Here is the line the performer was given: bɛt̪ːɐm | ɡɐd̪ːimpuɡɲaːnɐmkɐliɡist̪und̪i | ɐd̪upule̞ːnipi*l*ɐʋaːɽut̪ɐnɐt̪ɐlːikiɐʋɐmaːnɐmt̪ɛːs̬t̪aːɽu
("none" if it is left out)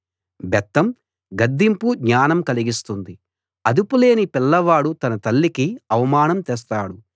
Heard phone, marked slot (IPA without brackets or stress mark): lː